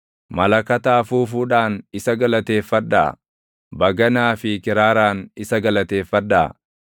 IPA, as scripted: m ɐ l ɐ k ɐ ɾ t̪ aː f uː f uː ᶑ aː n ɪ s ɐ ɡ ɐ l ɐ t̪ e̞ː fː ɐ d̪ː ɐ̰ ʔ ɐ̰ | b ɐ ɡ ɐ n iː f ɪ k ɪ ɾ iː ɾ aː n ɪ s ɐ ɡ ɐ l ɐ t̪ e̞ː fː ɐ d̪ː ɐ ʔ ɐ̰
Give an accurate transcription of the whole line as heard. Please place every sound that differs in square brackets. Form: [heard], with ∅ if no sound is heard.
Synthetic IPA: m ɐ l ɐ k ɐ [∅] t̪ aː f uː f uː ᶑ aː n ɪ s ɐ ɡ ɐ l ɐ t̪ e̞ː fː ɐ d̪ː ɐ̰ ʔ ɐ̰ | b ɐ ɡ ɐ n [aː] f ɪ k ɪ ɾ [aː] ɾ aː n ɪ s ɐ ɡ ɐ l ɐ t̪ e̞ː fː ɐ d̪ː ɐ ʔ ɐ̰